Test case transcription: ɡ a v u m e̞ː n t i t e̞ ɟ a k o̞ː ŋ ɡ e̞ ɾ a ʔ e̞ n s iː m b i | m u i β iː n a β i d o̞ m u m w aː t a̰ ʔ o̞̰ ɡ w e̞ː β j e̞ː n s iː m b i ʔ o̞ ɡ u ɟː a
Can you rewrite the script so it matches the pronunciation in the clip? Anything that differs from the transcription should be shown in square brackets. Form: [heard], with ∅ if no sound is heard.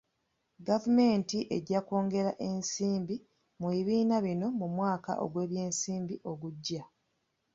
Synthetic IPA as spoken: ɡ a v u m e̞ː n t i [ʔ] e̞ ɟ a k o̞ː ŋ ɡ e̞ ɾ a ʔ e̞ n s iː m b i | m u i β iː n a β i [n] o̞ m u m w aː [k] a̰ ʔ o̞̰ ɡ w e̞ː β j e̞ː n s iː m b i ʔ o̞ ɡ u ɟː a